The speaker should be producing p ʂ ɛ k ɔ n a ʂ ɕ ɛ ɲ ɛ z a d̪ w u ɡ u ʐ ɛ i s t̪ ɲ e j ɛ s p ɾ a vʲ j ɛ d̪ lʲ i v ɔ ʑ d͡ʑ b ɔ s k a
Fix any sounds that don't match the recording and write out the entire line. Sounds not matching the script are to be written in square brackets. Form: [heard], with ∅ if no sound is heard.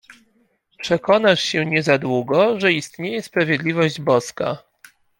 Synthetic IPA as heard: p ʂ ɛ k ɔ n a ʂ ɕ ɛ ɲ ɛ z a d̪ w u ɡ [ɔ] ʐ ɛ i s t̪ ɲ e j ɛ s p ɾ a vʲ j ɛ d̪ lʲ i v ɔ ʑ d͡ʑ b ɔ s k a